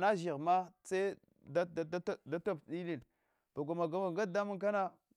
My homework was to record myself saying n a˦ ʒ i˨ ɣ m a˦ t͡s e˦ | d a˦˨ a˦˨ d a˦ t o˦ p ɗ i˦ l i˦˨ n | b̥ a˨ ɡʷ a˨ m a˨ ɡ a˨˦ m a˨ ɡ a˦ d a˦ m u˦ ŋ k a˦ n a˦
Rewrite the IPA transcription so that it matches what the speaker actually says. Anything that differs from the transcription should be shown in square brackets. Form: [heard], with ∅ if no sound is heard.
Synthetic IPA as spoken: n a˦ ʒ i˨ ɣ m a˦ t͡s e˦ | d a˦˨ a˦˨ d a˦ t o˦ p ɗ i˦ l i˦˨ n | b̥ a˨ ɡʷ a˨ m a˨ ɡ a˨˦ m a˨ ɡ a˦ d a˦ m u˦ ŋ k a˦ n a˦